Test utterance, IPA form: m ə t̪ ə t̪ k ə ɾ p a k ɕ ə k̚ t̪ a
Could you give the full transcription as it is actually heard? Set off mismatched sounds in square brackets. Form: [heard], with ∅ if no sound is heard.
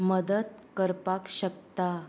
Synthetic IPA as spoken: m ə [d̪] ə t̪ k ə ɾ p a k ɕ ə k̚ t̪ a